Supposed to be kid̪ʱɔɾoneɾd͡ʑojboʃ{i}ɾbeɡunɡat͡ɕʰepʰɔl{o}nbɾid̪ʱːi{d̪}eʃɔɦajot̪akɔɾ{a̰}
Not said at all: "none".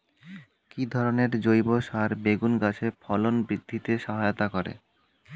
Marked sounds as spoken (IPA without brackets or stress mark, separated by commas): a, o, t̪, ḛ